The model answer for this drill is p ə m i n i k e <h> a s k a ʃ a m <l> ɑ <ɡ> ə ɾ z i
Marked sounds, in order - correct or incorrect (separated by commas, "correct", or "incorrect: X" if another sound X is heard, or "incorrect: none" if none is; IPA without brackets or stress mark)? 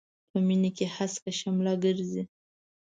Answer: correct, correct, correct